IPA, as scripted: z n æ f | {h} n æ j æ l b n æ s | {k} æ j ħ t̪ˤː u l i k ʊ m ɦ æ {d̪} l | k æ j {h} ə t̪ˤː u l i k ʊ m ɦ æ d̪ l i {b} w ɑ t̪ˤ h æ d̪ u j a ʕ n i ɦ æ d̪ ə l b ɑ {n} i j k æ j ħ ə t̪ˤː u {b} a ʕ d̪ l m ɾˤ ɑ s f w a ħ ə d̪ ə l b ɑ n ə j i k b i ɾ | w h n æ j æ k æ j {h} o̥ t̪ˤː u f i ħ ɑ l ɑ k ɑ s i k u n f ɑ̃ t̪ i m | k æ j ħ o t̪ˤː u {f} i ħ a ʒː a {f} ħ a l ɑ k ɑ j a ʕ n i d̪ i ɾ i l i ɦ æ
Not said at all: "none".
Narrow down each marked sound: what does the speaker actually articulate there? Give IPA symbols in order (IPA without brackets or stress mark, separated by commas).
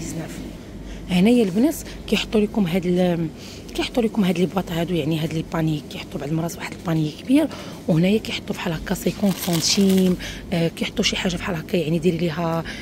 h, k, d̪, ħ, b, n, b, ħ, ʃ, f